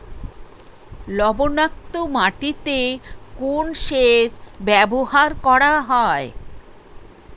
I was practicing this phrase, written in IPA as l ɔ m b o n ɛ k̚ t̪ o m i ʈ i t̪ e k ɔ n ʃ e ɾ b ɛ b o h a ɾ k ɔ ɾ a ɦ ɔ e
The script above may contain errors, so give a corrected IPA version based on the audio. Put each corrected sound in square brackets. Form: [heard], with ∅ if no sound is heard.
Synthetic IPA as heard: l ɔ [∅] b o n [a] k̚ t̪ o m [a] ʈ i t̪ e k [o] n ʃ e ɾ b ɛ b o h a ɾ k ɔ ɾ a ɦ ɔ e